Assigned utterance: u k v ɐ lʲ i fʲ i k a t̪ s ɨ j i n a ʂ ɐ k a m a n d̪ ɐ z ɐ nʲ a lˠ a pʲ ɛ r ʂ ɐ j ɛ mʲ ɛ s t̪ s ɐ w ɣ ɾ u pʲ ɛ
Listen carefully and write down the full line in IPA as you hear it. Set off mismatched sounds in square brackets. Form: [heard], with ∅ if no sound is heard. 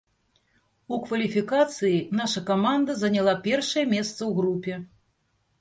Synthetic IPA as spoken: u k v ɐ lʲ i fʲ i k a t̪ s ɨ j i n a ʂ ɐ k a m a n d̪ ɐ z ɐ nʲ a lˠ a pʲ ɛ r ʂ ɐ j ɛ mʲ ɛ s t̪ s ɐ w ɣ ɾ u pʲ ɛ

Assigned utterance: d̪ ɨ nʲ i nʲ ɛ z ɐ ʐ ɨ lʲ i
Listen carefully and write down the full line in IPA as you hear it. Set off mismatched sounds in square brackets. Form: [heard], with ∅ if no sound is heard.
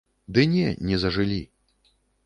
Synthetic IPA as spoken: d̪ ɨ nʲ [ɛ] nʲ ɛ z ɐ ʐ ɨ lʲ i

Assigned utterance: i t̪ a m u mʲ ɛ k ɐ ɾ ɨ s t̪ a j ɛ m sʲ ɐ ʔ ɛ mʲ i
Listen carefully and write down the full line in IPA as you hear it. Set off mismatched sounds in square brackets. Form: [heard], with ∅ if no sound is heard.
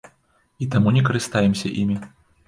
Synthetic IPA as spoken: i t̪ a m u [nʲ] ɛ k ɐ ɾ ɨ s t̪ a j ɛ m sʲ ɐ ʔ [i] mʲ i

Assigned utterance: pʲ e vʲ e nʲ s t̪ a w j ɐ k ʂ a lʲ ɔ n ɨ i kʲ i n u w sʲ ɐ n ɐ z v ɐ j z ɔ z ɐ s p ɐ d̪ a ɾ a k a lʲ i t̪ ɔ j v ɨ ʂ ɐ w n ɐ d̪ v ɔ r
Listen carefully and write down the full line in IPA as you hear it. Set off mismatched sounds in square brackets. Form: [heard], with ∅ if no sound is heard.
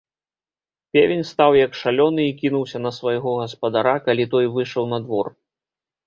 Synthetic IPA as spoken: pʲ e vʲ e nʲ s t̪ a w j ɐ k ʂ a lʲ ɔ n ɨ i kʲ i n u w sʲ ɐ n ɐ [s] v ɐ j [ɣ] ɔ [ɣ] ɐ s p ɐ d̪ a ɾ a k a lʲ i t̪ ɔ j v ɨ ʂ ɐ w n ɐ d̪ v ɔ r

